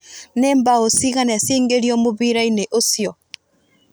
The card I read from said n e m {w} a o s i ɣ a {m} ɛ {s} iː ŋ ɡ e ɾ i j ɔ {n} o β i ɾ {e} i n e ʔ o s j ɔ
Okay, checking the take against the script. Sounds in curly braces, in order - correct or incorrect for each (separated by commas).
incorrect, incorrect, correct, incorrect, incorrect